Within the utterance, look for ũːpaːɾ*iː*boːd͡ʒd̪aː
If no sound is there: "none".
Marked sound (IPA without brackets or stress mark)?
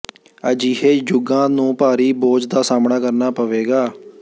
iː